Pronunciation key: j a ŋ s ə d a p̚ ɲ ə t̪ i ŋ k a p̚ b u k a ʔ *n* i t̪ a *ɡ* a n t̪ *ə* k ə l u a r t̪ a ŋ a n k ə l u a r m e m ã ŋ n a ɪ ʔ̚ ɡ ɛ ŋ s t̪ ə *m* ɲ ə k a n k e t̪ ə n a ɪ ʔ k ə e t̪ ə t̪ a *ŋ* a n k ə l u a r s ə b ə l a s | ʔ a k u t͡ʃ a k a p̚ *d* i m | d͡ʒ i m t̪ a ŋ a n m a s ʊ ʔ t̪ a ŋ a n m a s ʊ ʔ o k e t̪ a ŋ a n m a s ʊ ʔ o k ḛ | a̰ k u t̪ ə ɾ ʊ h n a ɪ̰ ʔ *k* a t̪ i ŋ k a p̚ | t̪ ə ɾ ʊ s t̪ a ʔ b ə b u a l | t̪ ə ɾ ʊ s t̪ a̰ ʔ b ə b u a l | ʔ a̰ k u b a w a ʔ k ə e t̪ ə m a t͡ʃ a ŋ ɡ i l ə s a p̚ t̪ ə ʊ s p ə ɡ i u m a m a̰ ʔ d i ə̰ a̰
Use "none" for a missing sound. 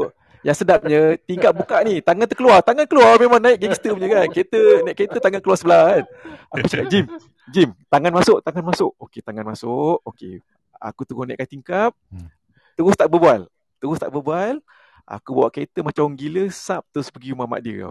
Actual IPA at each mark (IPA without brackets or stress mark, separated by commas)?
n, ŋ, ə, m, ŋ, d͡ʒ, k